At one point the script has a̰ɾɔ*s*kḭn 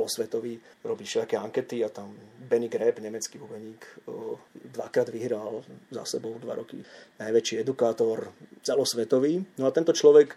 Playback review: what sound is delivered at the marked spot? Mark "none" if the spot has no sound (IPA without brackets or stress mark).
none